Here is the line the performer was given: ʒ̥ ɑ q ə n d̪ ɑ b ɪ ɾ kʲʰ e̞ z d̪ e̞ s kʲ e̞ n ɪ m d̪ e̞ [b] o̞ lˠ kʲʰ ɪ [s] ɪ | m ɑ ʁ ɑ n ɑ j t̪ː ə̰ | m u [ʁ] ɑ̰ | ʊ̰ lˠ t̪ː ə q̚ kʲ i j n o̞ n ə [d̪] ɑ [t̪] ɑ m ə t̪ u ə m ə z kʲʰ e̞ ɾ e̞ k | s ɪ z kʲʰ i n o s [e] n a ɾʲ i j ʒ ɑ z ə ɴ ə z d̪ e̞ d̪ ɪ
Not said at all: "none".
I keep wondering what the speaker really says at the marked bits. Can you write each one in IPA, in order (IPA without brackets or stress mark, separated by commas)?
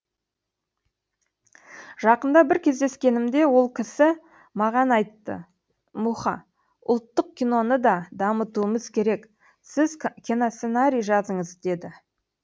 w, s, χ, d̪, d̪, e